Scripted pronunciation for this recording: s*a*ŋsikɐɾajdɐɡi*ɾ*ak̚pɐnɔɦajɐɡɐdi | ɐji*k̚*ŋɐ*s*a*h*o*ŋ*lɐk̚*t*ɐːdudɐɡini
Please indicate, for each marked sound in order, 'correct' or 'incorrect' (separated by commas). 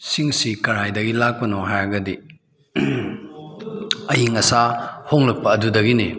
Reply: incorrect, incorrect, incorrect, correct, correct, correct, incorrect